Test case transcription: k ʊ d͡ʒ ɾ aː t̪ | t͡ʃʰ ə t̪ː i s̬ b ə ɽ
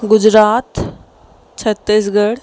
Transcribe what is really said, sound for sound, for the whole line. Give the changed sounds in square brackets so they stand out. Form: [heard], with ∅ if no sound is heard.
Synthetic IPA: [ɡ] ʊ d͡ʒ ɾ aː t̪ | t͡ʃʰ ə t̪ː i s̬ [ɡ] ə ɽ